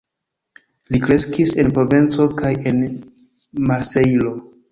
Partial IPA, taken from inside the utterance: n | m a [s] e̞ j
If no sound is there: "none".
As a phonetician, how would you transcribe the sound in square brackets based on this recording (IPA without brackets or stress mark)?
s